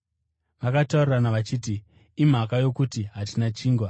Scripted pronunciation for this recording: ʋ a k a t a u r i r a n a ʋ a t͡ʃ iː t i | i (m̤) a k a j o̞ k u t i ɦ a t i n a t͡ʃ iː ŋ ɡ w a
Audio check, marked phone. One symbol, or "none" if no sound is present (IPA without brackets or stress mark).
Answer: m̤